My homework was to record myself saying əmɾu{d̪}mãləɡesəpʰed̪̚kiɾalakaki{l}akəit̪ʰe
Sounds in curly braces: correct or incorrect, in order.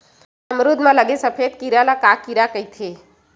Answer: correct, incorrect: ɾ

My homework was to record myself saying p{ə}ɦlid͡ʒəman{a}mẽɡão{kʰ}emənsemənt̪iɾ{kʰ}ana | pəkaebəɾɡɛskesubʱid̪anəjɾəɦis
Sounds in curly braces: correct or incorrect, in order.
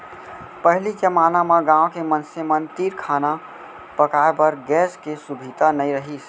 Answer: correct, correct, incorrect: k, correct

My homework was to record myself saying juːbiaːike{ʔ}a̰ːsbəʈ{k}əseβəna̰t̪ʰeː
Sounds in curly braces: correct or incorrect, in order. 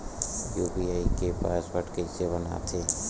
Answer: incorrect: p, correct

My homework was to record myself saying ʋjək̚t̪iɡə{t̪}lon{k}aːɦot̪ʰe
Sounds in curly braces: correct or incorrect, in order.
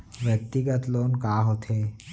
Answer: correct, correct

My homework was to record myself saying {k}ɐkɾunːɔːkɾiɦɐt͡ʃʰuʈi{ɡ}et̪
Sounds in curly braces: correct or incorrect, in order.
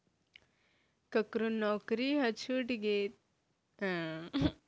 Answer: correct, correct

